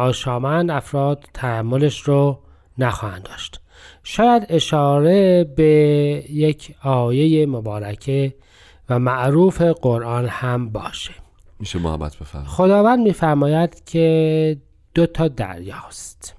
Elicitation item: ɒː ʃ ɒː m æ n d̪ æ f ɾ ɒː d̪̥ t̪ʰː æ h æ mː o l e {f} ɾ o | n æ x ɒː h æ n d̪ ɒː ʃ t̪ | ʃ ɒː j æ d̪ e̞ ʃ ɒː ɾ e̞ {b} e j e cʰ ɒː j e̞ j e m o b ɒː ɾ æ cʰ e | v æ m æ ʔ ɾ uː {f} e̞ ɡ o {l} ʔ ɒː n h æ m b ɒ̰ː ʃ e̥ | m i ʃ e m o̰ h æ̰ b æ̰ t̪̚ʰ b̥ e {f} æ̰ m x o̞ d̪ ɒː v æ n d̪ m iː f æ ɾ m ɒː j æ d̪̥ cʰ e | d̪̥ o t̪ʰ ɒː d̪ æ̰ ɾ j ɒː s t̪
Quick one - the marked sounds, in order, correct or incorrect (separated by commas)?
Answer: incorrect, correct, correct, incorrect, correct